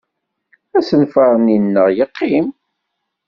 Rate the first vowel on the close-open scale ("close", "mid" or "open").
open